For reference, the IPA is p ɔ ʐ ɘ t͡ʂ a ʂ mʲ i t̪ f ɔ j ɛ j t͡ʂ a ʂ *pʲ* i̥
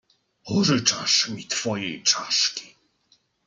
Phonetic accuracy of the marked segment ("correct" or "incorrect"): incorrect